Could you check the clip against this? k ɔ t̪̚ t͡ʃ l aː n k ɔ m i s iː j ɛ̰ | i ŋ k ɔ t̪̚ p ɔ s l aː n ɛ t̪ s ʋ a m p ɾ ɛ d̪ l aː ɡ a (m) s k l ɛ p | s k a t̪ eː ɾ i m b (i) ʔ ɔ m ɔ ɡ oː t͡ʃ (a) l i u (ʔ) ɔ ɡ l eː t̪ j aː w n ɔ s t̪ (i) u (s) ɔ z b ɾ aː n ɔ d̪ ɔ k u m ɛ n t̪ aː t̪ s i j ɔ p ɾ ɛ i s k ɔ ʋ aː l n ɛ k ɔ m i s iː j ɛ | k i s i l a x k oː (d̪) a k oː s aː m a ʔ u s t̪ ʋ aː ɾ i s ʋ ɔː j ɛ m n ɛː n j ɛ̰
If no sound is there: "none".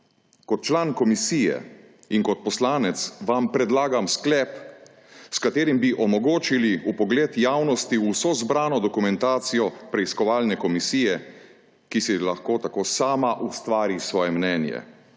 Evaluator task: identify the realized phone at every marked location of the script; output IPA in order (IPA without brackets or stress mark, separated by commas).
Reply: m, i, i, p, i, s, t̪